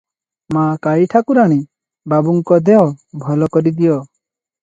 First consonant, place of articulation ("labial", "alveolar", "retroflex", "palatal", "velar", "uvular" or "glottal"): labial